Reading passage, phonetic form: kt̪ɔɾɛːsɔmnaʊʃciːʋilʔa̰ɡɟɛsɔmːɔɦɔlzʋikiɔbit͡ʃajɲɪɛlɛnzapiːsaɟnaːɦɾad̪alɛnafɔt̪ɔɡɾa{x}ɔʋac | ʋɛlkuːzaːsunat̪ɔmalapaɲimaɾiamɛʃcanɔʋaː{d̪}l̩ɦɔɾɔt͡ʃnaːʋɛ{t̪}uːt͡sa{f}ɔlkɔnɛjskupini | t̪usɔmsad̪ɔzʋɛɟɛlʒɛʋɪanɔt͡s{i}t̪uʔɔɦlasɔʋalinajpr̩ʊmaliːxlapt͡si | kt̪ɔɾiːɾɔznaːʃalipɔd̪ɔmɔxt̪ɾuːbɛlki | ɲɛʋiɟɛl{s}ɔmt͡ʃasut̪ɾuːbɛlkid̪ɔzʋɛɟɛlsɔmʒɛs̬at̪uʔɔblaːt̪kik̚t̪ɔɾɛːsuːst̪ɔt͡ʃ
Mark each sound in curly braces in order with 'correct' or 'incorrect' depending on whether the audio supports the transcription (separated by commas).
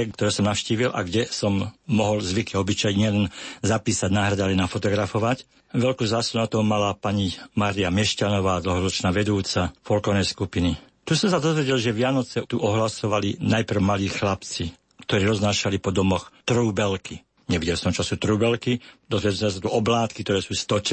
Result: incorrect, correct, incorrect, correct, incorrect, correct